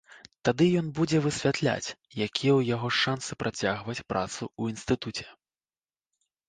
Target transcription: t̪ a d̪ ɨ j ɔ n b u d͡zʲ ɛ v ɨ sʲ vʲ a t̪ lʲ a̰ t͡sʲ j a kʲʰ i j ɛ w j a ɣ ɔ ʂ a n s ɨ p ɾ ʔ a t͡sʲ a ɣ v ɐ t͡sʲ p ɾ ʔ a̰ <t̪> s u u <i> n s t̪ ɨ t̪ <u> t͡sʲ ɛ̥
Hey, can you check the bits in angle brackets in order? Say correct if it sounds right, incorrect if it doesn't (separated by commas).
correct, correct, correct